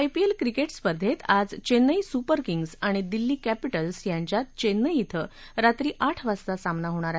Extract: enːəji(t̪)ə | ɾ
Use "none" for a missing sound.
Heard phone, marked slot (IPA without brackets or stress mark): t̪ʰ